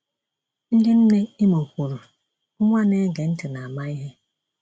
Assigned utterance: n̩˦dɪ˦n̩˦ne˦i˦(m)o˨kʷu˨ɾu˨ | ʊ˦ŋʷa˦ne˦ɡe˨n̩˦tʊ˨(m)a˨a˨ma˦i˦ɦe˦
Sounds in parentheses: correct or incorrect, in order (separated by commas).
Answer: correct, incorrect